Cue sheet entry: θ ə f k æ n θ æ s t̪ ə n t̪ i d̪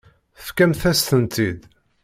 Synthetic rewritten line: θ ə f k æ m θ æ s t̪ ə n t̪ i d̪